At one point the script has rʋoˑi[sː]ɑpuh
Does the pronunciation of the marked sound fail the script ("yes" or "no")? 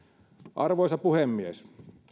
yes